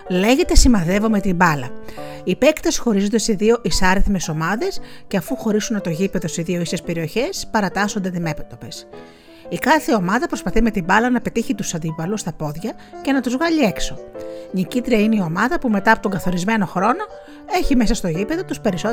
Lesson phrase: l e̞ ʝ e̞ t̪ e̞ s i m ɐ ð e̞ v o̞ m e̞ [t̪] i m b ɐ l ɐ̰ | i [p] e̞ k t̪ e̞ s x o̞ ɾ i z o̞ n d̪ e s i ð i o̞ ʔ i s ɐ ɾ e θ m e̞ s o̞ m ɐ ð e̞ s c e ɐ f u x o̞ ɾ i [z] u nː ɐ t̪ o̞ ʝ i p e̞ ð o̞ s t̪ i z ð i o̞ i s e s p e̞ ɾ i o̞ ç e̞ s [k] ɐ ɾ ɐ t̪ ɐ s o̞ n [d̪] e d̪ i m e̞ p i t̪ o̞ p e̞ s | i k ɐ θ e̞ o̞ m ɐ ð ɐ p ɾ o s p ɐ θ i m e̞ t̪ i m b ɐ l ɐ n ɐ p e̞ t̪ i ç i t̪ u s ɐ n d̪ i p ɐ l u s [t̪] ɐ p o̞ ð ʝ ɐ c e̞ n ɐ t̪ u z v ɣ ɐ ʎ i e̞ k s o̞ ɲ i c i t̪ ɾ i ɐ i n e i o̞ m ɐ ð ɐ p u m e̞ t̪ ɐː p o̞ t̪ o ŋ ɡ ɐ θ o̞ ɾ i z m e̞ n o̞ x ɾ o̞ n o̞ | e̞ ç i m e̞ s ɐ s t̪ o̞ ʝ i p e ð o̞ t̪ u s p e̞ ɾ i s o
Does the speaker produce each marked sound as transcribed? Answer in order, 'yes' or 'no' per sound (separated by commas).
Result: yes, yes, no, no, yes, yes